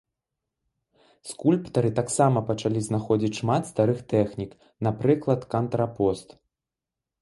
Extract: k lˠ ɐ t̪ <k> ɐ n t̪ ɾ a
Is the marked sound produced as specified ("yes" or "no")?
yes